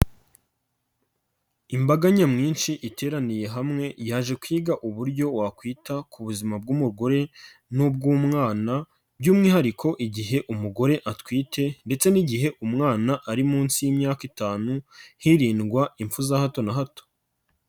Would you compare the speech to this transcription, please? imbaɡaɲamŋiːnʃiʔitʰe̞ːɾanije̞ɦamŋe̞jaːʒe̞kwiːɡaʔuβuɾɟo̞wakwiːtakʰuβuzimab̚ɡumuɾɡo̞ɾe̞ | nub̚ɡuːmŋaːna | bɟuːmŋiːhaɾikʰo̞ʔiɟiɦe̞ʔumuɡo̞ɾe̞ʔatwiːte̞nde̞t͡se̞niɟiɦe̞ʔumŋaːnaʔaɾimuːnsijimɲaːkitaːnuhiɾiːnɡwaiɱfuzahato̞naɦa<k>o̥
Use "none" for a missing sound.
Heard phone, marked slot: t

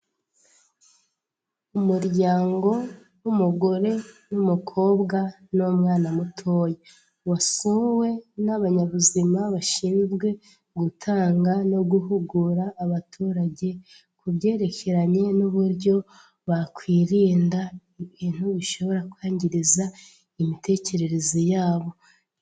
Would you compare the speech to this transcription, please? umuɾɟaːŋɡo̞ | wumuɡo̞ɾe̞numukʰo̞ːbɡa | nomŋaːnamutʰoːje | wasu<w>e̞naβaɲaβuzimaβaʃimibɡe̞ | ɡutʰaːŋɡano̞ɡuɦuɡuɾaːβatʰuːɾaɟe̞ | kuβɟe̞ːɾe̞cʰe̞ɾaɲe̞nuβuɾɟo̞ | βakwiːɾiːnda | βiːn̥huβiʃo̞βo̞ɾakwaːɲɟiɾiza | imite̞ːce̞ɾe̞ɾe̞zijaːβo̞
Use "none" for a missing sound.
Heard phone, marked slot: w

